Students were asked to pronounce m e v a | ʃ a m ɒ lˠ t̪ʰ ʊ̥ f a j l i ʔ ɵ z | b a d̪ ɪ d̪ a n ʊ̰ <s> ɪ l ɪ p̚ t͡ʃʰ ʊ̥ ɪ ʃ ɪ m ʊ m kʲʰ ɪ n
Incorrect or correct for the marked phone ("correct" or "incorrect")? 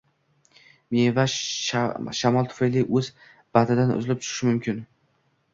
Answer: incorrect